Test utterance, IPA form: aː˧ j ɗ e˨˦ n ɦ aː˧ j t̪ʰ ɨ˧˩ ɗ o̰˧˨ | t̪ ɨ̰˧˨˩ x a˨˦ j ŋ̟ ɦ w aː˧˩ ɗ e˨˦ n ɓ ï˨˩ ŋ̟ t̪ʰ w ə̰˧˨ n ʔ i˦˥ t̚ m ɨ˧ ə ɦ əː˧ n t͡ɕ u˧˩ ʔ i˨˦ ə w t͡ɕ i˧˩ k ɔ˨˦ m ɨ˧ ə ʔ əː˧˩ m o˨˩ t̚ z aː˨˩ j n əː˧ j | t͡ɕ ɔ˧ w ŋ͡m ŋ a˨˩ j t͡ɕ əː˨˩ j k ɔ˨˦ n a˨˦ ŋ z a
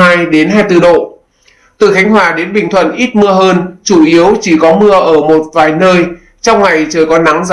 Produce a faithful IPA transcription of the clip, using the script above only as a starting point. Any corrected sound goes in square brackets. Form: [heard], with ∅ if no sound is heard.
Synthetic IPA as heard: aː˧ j ɗ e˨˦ n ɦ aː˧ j [t̪] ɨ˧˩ ɗ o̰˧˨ | t̪ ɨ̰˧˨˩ x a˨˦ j ŋ̟ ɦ w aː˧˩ ɗ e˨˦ n ɓ ï˨˩ ŋ̟ t̪ʰ w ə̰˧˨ n ʔ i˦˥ t̚ m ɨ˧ ə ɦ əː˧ n t͡ɕ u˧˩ ʔ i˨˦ ə w t͡ɕ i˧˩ k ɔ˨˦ m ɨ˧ ə ʔ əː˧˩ m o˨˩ t̚ [v] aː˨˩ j n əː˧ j | t͡ɕ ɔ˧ w ŋ͡m ŋ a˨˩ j t͡ɕ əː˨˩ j k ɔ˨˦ n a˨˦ ŋ z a